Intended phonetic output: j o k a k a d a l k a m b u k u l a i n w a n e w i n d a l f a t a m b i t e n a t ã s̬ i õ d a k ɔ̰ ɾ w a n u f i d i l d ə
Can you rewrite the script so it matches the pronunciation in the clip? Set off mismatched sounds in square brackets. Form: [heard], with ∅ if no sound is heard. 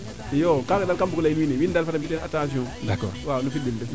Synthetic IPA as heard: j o k a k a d a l k a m b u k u l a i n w [i] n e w i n d a l f a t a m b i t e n a t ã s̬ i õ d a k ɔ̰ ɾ w a n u f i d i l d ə